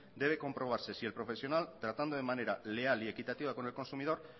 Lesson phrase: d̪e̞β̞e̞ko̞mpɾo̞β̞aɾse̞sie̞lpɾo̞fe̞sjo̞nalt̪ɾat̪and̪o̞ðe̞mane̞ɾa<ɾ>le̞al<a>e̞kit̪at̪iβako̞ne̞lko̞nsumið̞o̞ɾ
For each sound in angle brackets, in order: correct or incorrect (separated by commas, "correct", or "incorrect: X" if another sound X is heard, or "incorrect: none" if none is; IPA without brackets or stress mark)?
incorrect: none, incorrect: i